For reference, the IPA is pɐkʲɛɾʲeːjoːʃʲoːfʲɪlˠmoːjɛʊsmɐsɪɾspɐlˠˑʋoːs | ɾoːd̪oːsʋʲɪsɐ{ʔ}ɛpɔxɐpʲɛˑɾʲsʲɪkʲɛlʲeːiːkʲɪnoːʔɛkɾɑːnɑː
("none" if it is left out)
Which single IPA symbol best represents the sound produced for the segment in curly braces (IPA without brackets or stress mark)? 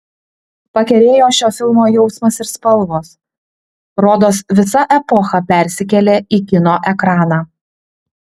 ʔ